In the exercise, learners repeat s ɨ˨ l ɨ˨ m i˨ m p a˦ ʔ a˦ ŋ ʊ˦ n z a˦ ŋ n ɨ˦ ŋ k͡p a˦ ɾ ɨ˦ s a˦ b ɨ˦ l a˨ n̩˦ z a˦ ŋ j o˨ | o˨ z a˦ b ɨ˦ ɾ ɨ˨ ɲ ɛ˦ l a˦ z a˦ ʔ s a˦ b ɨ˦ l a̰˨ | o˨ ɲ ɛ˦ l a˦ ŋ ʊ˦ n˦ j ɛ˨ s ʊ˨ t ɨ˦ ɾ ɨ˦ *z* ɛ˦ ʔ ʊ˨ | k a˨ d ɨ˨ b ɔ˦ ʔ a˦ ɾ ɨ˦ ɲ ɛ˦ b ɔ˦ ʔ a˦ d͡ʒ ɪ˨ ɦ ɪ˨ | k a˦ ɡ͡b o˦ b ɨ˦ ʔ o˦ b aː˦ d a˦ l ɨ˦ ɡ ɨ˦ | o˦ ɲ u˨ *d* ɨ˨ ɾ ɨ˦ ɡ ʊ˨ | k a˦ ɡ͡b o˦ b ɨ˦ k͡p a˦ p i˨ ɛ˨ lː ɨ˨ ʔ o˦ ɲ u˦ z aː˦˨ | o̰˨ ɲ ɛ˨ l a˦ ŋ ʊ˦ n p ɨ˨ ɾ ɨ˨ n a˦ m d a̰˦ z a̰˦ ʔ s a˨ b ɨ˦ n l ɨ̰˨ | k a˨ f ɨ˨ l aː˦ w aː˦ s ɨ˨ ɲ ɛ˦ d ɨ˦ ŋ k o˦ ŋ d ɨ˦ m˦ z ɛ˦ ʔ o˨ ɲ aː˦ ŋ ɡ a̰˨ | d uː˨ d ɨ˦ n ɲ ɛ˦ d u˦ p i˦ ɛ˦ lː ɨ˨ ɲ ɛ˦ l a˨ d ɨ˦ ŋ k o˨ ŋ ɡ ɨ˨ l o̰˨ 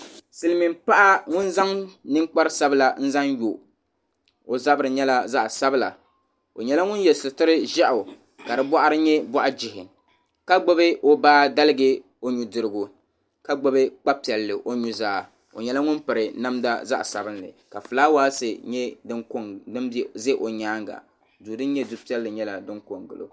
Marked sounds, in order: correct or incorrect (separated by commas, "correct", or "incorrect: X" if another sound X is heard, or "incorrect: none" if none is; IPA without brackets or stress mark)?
incorrect: ʒ, correct